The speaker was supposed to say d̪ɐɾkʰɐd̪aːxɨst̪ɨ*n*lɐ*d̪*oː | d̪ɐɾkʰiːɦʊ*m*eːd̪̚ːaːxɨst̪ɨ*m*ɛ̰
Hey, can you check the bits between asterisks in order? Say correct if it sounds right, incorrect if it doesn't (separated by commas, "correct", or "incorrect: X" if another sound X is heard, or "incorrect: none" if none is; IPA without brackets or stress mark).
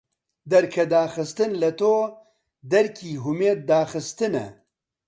correct, incorrect: t̪, correct, incorrect: n